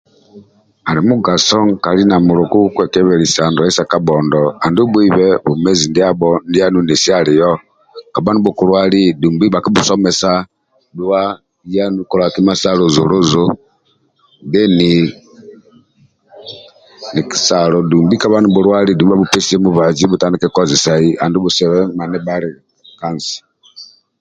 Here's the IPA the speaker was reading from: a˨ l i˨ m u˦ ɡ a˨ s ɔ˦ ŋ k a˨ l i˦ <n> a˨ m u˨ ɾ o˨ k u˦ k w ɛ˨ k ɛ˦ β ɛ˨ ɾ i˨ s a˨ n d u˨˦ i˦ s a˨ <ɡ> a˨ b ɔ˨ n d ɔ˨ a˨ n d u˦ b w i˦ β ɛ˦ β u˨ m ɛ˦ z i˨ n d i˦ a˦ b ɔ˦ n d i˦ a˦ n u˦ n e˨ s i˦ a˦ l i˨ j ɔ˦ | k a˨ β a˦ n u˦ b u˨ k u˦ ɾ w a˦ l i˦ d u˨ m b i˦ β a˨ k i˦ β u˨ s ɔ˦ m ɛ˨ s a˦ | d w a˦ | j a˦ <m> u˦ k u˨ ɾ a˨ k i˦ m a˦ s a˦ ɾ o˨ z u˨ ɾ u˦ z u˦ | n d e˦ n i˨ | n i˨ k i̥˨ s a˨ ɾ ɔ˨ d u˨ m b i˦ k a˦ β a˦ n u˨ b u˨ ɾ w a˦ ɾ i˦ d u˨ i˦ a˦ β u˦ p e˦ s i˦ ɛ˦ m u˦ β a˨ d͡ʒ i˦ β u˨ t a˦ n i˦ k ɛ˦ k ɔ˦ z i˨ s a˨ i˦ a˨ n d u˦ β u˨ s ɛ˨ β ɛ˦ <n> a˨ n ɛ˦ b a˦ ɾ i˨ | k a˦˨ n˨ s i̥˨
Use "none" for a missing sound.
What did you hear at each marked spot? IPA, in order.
n, k, n, m

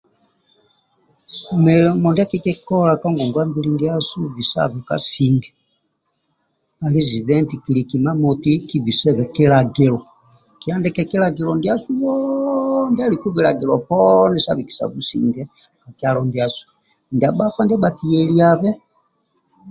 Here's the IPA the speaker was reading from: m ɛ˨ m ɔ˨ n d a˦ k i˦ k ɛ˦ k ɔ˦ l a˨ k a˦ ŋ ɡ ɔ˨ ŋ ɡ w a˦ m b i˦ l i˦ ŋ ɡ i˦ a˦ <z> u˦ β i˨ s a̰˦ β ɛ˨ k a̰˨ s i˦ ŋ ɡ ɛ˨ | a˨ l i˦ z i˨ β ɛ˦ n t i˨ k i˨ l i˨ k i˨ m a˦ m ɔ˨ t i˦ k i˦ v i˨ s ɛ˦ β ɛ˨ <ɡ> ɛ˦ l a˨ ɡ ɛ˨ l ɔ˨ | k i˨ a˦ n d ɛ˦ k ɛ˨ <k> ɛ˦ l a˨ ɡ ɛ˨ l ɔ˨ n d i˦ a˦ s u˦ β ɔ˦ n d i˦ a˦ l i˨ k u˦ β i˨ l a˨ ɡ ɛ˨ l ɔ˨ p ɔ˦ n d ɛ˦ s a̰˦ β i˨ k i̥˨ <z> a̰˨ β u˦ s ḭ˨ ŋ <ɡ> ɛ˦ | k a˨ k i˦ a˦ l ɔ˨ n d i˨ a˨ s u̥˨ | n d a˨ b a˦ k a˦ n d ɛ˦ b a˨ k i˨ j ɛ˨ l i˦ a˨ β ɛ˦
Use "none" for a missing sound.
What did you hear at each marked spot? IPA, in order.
s, k, k, s, ɡ

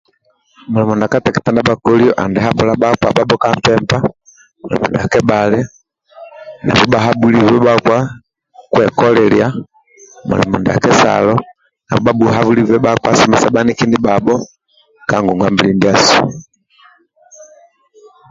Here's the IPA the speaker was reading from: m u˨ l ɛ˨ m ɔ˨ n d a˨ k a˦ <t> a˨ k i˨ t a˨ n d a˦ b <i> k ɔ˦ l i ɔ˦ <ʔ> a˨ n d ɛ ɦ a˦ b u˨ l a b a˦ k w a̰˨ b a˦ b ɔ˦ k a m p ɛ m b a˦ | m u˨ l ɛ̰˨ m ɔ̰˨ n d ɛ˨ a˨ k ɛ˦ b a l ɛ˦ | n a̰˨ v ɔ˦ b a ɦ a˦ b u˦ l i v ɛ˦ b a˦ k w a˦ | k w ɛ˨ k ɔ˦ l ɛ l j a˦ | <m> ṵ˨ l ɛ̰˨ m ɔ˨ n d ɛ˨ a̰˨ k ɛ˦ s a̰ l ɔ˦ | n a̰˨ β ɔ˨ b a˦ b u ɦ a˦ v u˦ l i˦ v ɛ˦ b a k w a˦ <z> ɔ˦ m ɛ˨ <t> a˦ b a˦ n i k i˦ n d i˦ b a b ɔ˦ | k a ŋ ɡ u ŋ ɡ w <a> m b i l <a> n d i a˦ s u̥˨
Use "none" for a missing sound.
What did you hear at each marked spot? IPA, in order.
t, a, ʔ, m, s, s, a, i

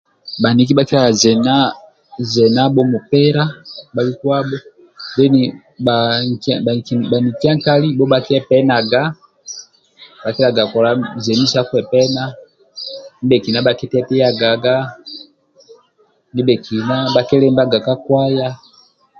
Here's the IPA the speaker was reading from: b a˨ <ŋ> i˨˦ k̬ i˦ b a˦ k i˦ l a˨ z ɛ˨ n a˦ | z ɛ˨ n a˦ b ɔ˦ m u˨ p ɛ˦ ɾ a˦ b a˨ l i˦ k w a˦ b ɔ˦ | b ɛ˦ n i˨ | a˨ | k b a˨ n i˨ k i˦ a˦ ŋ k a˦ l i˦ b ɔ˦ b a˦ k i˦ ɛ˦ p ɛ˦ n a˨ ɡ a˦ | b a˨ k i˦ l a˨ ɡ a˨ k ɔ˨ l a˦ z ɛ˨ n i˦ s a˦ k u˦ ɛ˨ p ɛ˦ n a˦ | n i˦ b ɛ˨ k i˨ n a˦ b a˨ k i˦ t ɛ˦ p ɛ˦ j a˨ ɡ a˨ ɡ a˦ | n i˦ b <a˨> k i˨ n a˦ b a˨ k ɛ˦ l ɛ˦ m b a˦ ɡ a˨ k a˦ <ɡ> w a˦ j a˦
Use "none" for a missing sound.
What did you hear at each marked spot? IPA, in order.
n, ɛ˨, k

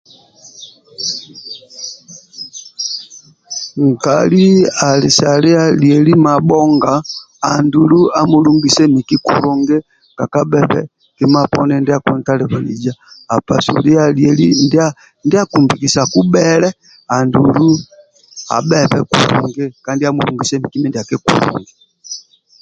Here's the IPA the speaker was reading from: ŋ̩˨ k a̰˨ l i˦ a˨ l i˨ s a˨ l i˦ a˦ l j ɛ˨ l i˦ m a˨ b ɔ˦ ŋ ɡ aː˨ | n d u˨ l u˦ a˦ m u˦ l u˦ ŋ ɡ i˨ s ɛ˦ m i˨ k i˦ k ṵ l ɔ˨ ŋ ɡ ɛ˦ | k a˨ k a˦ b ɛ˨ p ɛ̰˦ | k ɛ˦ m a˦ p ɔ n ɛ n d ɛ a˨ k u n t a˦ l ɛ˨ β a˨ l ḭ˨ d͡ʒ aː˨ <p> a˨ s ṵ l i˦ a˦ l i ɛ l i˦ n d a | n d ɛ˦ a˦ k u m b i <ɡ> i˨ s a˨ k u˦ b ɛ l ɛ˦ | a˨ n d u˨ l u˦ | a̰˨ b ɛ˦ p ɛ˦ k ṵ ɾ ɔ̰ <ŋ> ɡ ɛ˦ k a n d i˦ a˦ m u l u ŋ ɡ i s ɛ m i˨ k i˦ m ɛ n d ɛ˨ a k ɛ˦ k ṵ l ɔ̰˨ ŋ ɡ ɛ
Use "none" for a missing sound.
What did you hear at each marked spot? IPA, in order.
p, k, ŋ

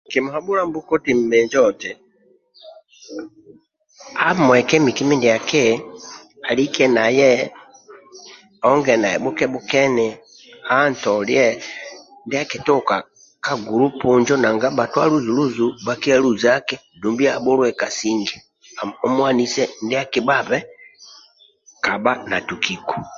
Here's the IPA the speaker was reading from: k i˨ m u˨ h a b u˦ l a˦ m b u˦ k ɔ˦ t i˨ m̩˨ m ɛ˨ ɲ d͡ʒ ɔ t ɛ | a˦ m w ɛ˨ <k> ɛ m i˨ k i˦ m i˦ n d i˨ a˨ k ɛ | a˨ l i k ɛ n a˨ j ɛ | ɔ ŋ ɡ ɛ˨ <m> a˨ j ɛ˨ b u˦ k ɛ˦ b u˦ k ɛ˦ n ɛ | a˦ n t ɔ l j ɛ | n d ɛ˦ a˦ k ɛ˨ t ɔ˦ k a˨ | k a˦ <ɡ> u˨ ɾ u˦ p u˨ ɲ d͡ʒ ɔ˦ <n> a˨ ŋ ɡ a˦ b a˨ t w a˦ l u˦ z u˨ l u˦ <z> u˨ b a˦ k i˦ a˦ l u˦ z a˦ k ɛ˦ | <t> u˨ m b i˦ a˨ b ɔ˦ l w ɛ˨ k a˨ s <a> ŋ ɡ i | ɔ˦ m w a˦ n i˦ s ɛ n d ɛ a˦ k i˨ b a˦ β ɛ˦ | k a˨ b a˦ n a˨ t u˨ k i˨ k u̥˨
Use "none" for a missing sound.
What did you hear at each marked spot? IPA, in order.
k, n, ɡ, n, z, d, i

